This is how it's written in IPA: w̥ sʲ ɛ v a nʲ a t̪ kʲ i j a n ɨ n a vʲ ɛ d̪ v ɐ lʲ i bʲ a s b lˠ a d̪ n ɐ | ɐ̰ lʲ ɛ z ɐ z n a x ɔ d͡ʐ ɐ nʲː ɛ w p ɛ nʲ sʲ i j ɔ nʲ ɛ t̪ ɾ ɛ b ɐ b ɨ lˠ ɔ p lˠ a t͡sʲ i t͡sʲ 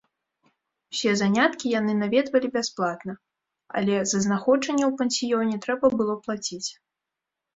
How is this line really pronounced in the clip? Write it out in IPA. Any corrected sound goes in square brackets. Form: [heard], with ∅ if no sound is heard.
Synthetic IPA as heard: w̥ sʲ ɛ [z] a nʲ a t̪ kʲ i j a n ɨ n a vʲ ɛ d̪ v ɐ lʲ i bʲ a s [p] lˠ a [t̪] n ɐ | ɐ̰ lʲ ɛ z ɐ z n a x ɔ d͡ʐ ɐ nʲː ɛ w p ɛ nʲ sʲ i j ɔ nʲ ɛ t̪ ɾ ɛ b ɐ b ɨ lˠ ɔ p lˠ a t͡sʲ i t͡sʲ